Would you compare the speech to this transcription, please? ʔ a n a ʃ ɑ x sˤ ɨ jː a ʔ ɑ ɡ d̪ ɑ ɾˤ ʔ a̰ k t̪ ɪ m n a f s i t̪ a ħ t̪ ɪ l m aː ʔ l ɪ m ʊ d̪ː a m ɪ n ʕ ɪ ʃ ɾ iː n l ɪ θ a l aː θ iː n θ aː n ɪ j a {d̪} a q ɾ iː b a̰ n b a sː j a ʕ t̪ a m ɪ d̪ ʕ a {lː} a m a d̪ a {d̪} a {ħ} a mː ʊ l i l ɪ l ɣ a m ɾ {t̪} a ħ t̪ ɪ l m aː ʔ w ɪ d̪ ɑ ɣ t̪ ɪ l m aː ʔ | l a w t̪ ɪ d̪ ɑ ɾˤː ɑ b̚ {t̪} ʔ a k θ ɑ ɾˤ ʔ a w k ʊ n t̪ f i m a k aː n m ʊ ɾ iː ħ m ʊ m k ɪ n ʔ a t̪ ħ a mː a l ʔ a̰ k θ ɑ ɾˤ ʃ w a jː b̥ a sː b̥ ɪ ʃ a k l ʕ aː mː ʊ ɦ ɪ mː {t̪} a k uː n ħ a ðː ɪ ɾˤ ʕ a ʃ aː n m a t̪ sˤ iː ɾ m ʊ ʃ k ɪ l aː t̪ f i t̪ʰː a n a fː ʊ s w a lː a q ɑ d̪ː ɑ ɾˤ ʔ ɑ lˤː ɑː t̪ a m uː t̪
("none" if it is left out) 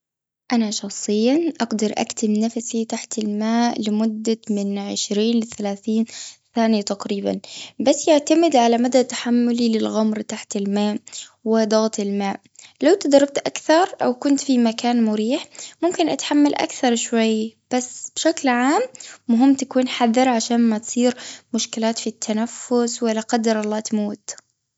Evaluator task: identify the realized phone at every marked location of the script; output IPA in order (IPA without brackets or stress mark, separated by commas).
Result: t̪, l, t̪, ħ, t̪, t̪, t̪